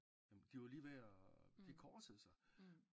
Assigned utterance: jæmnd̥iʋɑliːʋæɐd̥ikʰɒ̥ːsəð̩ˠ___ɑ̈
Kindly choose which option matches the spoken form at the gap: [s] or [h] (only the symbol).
s